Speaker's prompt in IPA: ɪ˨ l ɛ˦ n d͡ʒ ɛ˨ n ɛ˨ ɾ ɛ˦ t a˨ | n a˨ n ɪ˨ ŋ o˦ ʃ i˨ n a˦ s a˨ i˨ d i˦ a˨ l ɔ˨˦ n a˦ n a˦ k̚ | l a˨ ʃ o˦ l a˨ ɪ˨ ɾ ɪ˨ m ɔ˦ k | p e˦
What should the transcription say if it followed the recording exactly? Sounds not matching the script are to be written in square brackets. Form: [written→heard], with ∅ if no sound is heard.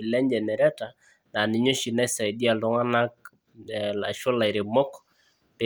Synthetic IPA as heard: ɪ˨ l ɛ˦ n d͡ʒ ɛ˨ n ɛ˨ ɾ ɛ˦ t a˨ | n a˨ n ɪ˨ [ŋ→ɲ] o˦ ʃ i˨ n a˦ s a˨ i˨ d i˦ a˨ l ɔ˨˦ [n→ŋ] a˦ n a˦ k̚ | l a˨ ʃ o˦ l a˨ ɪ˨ ɾ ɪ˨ m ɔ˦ k | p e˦